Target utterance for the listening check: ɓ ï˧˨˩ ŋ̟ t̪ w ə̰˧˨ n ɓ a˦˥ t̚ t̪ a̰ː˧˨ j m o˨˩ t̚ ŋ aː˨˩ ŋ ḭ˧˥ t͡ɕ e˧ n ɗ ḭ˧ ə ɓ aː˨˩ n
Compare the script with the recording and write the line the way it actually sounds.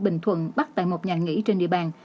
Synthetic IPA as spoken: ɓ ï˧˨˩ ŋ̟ t̪ʰ w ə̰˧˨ n ɓ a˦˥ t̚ t̪ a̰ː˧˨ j m o˨˩ t̚ ɲ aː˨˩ ŋ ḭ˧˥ t͡ɕ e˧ n ɗ ḭ˧ ə ɓ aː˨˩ n

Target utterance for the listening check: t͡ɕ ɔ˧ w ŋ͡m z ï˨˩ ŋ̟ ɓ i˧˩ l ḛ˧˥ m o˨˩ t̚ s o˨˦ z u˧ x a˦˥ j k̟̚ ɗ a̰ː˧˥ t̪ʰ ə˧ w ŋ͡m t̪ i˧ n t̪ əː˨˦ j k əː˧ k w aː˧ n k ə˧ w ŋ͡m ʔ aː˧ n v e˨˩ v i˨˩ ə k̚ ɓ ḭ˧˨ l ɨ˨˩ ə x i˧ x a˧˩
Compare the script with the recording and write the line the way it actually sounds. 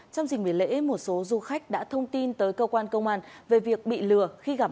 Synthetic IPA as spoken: t͡ɕ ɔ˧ w ŋ͡m z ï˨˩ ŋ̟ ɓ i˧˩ l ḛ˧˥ m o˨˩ t̚ s o˨˦ z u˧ x a˦˥ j k̟̚ ɗ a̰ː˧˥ t̪ʰ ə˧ w ŋ͡m t̪ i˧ n t̪ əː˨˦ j k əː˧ k w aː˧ n k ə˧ w ŋ͡m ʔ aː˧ n v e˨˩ v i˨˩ ə k̚ ɓ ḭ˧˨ l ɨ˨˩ ə x i˧ ɣ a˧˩

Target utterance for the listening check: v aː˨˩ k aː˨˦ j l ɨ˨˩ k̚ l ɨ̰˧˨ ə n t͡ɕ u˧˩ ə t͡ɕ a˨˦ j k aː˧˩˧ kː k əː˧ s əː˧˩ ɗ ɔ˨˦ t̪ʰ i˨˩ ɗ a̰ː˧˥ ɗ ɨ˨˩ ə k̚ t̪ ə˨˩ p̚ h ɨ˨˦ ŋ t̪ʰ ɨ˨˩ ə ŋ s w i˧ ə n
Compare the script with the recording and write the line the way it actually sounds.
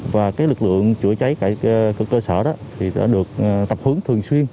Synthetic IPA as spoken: v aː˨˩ k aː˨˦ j l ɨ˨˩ k̚ l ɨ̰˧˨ ə ŋ t͡ɕ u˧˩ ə t͡ɕ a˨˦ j k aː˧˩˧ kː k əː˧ s əː˧˩ ɗ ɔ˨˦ t̪ʰ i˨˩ ɗ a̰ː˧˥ ɗ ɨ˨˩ ə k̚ t̪ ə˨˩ p̚ h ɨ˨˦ ŋ t̪ʰ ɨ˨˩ ə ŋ s w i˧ ə n

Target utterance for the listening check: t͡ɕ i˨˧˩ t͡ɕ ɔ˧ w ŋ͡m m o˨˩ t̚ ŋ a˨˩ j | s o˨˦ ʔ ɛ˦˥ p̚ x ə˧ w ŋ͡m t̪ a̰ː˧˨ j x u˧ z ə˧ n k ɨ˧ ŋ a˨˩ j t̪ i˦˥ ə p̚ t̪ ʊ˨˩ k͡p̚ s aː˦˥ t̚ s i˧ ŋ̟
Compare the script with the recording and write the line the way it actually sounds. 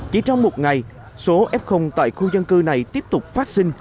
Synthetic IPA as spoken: t͡ɕ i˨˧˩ t͡ɕ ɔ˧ w ŋ͡m m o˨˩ t̚ ŋ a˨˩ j | s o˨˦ ʔ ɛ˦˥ p̚ x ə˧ w ŋ͡m t̪ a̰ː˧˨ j x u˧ z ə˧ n k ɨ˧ n a˨˩ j t̪ i˦˥ ə p̚ t̪ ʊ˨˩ k͡p̚ f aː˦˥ t̚ s i˧ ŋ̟

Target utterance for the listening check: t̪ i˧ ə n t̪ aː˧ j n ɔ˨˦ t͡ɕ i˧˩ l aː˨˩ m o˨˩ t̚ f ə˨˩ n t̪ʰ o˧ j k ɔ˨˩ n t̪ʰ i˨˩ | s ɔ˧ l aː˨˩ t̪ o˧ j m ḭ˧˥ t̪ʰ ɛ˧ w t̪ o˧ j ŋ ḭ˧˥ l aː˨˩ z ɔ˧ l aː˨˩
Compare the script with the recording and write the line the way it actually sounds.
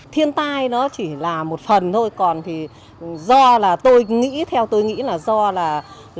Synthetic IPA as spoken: t̪ʰ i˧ ə n t̪ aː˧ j n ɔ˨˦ t͡ɕ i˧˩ l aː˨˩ m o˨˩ t̚ f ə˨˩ n t̪ʰ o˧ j k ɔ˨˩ n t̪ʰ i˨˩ | z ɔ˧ l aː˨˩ t̪ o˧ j ŋ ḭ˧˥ t̪ʰ ɛ˧ w t̪ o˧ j ŋ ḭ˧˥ l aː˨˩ z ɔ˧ l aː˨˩

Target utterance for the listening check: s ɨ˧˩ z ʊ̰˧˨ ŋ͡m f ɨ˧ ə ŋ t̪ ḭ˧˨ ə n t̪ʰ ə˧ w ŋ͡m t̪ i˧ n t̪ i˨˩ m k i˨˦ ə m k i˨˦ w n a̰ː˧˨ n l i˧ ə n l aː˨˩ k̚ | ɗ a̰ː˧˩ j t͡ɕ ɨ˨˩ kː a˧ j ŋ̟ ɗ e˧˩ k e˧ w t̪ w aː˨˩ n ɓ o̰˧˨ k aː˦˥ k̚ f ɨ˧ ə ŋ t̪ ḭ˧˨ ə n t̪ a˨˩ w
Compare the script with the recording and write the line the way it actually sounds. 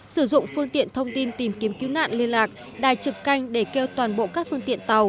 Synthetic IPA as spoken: s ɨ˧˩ z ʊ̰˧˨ ŋ͡m f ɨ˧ ə ŋ t̪ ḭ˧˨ ə n t̪ʰ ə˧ w ŋ͡m t̪ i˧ n t̪ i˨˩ m k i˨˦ ə m k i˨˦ w n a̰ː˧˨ n l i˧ ə n l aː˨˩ k̚ | ɗ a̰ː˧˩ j t͡ɕ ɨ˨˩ kː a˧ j ŋ̟ ɗ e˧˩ k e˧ w t̪ w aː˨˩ n ɓ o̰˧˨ k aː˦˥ k̚ f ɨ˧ ə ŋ t̪ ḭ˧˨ ə n t̪ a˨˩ w

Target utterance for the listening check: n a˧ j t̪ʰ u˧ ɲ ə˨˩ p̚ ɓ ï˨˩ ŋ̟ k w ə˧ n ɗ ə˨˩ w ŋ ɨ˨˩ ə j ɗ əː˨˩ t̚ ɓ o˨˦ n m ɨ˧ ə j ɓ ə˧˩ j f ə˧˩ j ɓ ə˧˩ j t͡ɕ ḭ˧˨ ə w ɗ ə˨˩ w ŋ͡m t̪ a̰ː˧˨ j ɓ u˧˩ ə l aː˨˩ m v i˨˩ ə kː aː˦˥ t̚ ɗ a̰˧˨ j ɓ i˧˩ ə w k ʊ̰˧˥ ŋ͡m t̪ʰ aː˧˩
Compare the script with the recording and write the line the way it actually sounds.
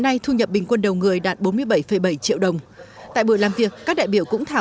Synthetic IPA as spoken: n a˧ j t̪ʰ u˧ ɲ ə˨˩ p̚ ɓ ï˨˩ ŋ̟ k w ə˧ n ɗ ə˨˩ w ŋ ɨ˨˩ ə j ɗ aː˨˩ t̚ ɓ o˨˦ n m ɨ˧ ə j ɓ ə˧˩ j f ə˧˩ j ɓ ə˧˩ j t͡ɕ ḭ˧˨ ə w ɗ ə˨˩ w ŋ͡m t̪ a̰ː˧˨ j ɓ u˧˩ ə l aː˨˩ m v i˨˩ ə kː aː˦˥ k̚ ɗ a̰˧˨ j ɓ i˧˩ ə w k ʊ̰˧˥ ŋ͡m t̪ʰ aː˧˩

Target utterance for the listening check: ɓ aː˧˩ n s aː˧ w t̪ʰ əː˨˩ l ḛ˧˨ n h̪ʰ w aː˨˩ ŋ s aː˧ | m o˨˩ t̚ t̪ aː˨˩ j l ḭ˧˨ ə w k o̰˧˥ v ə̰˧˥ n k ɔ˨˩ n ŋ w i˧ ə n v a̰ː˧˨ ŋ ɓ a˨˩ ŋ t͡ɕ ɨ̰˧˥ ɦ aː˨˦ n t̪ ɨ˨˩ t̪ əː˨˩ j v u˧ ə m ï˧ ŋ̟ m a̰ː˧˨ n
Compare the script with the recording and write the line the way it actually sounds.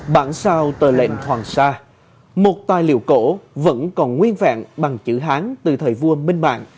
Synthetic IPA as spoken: ɓ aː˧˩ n s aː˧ w t̪ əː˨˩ l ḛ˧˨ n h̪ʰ w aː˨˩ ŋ s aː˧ | m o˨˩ t̚ t̪ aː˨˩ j l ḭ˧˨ ə w k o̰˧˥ v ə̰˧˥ n k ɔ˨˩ n ŋ w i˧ ə n v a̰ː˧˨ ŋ ɓ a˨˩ ŋ t͡ɕ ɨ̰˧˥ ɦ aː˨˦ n t̪ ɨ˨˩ t̪ʰ əː˨˩ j v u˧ ə m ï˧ ŋ̟ m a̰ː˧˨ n

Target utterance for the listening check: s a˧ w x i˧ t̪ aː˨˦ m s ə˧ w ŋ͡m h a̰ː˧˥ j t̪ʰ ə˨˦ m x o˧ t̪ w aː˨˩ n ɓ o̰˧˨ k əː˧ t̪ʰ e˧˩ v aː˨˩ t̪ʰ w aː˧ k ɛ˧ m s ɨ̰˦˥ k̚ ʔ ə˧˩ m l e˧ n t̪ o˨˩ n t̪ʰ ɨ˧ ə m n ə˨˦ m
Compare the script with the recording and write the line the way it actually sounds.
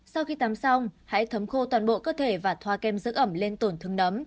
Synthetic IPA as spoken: s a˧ w x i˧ t̪ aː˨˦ m s a˧ w ŋ͡m h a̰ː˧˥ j t̪ʰ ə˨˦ m x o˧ t̪ w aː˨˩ n ɓ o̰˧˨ k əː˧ t̪ʰ e˧˩ v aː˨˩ t̪ʰ w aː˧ k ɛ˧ m z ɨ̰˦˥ k̚ ʔ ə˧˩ m l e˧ n t̪ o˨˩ n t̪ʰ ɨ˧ ə ŋ n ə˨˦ m

